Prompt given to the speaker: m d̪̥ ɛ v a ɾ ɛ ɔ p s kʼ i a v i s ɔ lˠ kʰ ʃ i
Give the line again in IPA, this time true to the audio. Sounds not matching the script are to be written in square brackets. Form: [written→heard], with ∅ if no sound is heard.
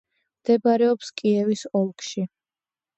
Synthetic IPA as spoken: m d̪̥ ɛ [v→b] a ɾ ɛ ɔ p s kʼ i [a→ɛ] v i s ɔ lˠ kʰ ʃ i